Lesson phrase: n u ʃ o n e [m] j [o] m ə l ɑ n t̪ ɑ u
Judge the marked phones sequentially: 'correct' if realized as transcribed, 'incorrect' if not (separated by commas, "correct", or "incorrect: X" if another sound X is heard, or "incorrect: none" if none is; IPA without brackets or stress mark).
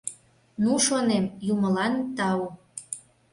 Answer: correct, incorrect: u